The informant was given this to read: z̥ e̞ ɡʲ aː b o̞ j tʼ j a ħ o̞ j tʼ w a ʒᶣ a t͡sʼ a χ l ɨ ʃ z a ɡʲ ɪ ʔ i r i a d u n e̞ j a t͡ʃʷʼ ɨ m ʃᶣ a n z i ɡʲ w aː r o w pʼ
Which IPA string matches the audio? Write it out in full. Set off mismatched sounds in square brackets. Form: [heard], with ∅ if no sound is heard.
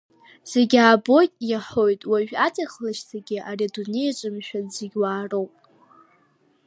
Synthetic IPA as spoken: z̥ e̞ ɡʲ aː b o̞ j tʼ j a ħ o̞ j tʼ w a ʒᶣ a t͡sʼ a χ l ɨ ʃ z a ɡʲ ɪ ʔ [a] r i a d u n e̞ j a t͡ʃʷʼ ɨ m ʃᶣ a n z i ɡʲ w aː r o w pʼ

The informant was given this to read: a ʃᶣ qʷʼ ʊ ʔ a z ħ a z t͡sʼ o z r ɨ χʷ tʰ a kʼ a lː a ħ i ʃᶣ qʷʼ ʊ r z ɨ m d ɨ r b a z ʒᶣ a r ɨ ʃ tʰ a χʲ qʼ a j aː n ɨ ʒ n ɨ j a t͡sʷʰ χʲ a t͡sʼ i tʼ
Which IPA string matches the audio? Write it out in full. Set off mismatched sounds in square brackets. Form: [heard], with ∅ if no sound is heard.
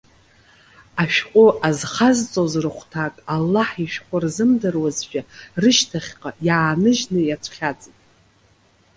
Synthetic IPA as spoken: a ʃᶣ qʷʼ ʊ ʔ a z [χ] a z t͡sʼ o z r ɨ χʷ tʰ a kʼ a lː a ħ i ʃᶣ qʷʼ ʊ r z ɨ m d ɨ r [w] a z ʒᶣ a r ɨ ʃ tʰ a χʲ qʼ a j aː n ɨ ʒ n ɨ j a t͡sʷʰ χʲ a t͡sʼ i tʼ

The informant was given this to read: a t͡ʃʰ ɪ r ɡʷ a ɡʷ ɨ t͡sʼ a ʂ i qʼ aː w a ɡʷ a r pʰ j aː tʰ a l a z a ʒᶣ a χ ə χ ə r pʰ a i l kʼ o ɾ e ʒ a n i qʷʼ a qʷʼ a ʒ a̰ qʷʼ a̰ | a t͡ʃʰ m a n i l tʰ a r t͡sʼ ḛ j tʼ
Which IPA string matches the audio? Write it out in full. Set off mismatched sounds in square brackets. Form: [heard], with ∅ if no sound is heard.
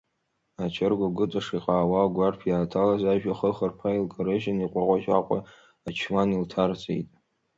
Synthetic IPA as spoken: a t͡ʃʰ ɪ r ɡʷ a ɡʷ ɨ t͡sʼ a ʂ i qʼ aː w a ɡʷ a r pʰ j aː tʰ a l a z a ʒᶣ a χ ə χ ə r pʰ a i l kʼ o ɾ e ʒ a n i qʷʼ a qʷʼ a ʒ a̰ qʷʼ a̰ | a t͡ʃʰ m a n i l tʰ a r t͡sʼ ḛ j tʼ

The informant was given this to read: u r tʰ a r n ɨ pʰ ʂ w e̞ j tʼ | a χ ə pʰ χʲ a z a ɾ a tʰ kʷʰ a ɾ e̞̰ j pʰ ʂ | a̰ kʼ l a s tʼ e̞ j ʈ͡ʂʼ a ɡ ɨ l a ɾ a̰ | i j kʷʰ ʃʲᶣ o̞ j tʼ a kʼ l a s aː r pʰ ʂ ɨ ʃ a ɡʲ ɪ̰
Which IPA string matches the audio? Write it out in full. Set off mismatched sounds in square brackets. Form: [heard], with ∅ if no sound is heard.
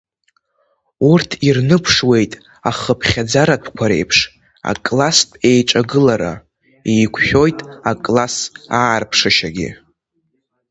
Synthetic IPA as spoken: u r tʰ [i] r n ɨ pʰ ʂ w e̞ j tʼ | a χ ə pʰ χʲ a [d͡z] a ɾ a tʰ kʷʰ a ɾ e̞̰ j pʰ ʂ | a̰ kʼ l a s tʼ e̞ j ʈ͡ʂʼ a ɡ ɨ l a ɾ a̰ | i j kʷʰ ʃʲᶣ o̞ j tʼ a kʼ l a s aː r pʰ ʂ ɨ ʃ a ɡʲ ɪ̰

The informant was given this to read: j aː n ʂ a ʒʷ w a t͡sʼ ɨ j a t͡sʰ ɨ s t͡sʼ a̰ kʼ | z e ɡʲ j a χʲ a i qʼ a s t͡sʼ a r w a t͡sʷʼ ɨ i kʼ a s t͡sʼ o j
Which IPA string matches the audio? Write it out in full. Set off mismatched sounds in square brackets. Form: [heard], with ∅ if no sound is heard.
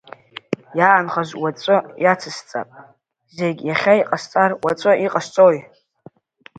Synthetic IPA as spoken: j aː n [χ] a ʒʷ w a t͡sʼ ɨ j a t͡sʰ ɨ s t͡sʼ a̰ [pʼ] | z e ɡʲ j a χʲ a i qʼ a s t͡sʼ a r w a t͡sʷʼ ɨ i [qʼ] a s t͡sʼ o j

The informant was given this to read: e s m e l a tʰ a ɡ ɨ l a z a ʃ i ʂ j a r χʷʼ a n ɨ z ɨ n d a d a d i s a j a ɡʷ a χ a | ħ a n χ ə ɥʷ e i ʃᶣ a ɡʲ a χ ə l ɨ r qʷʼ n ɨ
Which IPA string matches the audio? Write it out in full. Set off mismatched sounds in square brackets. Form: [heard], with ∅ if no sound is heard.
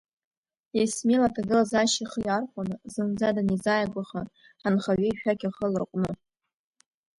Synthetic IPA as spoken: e s m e l a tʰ a ɡ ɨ l a z a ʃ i [χ] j a r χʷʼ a n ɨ z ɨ n [d͡z] a d a [n] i [z] a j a ɡʷ a χ a | ħ a n χ [a] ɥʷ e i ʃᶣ a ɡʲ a χ ə l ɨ r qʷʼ n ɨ

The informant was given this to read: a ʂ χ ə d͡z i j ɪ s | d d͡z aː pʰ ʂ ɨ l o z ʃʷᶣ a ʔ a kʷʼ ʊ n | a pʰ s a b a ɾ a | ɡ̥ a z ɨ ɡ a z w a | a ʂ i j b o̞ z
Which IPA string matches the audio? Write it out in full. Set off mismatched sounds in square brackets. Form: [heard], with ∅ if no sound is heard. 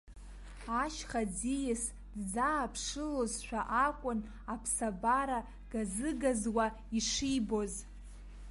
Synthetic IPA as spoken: a [ʃ] χ [a] d͡z i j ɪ s | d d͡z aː pʰ ʂ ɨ l o z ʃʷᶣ a ʔ a kʷʼ ʊ n | a pʰ s a b a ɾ a | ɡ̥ a z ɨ ɡ a z w a | [i] ʂ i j b o̞ z

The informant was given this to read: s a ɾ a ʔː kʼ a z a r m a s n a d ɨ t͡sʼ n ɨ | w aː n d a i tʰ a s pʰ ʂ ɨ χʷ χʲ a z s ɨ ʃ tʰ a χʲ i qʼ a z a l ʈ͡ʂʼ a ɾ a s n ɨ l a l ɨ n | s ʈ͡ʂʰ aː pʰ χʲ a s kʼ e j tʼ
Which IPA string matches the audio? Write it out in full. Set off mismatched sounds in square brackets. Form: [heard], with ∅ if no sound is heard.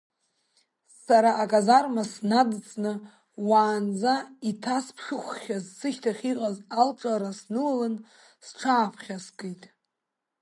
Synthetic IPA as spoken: s a ɾ a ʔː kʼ a z a r m a s n a d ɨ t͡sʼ n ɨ | w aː n [d͡z] a i tʰ a s pʰ ʂ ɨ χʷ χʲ a z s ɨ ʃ tʰ a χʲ i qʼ a z a l ʈ͡ʂʼ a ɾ a s n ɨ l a l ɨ n | s ʈ͡ʂʰ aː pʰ χʲ a s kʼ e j tʼ

